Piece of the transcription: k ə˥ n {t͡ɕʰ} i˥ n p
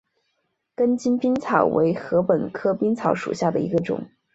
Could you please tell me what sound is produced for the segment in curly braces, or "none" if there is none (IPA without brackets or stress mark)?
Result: t͡ɕ